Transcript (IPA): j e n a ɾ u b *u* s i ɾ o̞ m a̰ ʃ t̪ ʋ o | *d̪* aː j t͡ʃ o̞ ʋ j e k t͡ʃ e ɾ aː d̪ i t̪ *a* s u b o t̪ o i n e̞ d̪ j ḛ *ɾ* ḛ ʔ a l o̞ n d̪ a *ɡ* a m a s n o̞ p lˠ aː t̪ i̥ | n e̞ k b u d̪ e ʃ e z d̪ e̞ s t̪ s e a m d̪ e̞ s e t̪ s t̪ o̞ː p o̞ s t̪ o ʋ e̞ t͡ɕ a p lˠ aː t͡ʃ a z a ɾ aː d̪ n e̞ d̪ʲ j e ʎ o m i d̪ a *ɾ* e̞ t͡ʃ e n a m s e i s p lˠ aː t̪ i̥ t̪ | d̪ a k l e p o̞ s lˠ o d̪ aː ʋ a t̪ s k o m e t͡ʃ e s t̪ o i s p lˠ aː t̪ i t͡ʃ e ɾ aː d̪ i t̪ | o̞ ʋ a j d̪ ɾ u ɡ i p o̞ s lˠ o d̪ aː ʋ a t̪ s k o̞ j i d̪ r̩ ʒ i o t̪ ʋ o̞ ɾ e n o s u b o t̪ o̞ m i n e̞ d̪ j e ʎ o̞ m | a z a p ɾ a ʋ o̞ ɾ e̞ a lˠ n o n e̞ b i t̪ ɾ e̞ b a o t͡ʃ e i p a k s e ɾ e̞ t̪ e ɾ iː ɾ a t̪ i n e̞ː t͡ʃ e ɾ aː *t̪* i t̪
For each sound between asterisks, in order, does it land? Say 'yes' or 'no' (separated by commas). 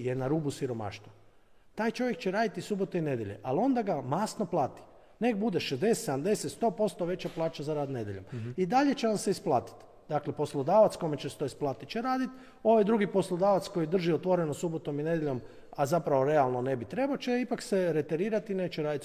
yes, no, no, no, yes, no, no